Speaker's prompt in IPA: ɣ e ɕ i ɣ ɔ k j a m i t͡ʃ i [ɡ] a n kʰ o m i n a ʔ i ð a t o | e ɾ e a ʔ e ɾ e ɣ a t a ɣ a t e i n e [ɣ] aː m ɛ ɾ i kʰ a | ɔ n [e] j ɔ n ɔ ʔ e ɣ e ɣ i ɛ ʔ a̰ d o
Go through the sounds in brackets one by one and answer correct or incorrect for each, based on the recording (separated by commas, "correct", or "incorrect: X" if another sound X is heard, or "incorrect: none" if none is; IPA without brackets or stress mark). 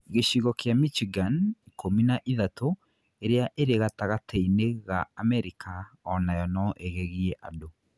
correct, correct, incorrect: a